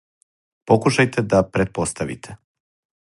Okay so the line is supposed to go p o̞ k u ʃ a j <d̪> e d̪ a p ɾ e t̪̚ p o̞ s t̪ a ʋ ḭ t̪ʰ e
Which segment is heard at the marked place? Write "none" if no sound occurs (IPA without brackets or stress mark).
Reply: t̪